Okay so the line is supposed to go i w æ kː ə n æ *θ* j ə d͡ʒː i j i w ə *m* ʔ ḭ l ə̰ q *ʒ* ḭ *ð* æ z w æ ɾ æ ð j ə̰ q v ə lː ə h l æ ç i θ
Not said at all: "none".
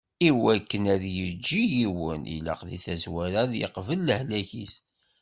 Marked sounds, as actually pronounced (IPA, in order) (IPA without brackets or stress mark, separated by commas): ð, n, ð, θ